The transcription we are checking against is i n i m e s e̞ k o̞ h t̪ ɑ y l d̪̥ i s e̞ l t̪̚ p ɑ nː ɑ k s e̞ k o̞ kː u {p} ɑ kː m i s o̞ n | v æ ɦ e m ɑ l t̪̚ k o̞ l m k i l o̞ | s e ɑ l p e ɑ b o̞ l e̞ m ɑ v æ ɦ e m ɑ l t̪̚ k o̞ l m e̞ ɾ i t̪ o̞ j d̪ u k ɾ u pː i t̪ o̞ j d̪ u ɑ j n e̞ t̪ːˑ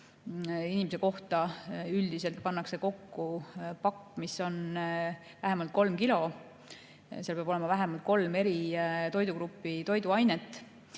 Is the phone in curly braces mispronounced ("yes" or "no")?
no